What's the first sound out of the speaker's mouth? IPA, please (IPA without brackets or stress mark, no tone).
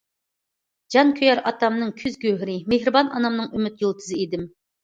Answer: d͡ʒ